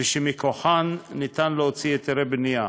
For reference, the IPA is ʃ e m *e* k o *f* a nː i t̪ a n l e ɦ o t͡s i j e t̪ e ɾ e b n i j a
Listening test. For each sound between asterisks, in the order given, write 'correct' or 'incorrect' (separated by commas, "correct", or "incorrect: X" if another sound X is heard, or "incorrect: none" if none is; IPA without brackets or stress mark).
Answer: incorrect: i, incorrect: ħ